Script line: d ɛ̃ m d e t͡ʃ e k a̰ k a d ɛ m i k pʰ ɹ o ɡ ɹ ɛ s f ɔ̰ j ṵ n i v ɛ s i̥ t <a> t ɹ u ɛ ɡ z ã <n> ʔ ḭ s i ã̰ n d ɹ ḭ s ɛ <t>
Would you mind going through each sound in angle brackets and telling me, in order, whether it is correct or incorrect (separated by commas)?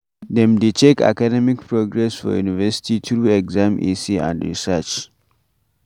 incorrect, incorrect, incorrect